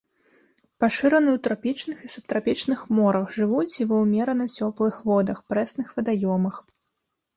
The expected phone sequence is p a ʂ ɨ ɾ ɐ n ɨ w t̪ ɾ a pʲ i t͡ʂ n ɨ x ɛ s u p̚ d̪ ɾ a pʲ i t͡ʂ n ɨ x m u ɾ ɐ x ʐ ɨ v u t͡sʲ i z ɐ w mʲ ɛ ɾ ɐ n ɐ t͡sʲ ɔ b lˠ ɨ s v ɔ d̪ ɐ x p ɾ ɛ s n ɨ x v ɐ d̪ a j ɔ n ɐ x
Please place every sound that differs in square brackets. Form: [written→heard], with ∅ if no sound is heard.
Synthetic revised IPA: p a ʂ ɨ ɾ ɐ n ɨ w t̪ ɾ a pʲ i t͡ʂ n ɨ x [ɛ→i] s u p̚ [d̪→t̪] ɾ a pʲ i t͡ʂ n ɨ x m [u→ɔ] ɾ ɐ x ʐ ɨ v u t͡sʲ i [z→v] ɐ w mʲ ɛ ɾ ɐ n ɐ t͡sʲ ɔ [b→p] lˠ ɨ [s→x] v ɔ d̪ ɐ x p ɾ ɛ s n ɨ x v ɐ d̪ a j ɔ [n→m] ɐ x